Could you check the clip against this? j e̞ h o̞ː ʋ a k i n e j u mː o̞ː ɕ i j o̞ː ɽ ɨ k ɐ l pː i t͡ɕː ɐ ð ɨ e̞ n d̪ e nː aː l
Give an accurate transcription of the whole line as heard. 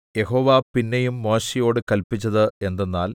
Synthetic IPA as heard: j e̞ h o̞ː ʋ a p i nː e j u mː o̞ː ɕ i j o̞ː ɽ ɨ k ɐ l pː i t͡ɕː ɐ ð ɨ e̞ n d̪ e nː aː l